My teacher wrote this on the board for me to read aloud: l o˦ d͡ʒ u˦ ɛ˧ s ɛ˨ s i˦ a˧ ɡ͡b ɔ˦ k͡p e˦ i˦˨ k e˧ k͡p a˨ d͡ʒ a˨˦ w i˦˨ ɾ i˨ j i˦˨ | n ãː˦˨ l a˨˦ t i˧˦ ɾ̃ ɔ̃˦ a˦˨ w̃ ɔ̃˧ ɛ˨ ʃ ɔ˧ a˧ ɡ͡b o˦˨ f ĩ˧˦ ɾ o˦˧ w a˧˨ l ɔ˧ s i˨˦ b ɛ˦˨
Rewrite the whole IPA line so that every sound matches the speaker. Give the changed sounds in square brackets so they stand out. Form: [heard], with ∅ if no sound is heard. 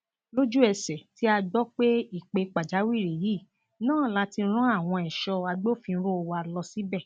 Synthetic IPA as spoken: l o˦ d͡ʒ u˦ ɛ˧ s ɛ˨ [t] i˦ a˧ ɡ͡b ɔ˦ k͡p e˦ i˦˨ [k͡p] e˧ k͡p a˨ d͡ʒ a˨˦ w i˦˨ ɾ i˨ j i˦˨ | n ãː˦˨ l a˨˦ t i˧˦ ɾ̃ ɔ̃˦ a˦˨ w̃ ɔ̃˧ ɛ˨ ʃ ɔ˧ a˧ ɡ͡b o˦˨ f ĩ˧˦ ɾ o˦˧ w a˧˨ l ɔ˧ s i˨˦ b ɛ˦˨